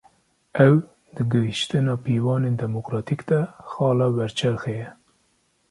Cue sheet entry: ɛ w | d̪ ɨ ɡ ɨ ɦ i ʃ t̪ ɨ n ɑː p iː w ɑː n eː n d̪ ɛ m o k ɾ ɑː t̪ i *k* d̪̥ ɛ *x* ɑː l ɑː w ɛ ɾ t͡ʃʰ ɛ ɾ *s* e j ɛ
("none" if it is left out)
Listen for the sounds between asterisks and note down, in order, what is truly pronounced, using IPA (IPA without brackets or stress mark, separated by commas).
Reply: k, x, x